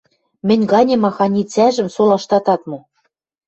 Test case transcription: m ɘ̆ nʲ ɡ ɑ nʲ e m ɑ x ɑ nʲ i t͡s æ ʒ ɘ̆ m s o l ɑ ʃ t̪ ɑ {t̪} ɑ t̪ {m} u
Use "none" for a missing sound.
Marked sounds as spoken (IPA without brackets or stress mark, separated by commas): t̪, m